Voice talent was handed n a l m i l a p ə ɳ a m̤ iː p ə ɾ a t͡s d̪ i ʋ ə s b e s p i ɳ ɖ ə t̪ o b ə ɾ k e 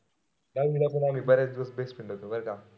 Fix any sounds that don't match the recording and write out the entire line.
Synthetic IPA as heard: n a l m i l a p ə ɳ a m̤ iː b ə ɾ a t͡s d̪ i ʋ ə s b e s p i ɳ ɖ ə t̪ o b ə ɾ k a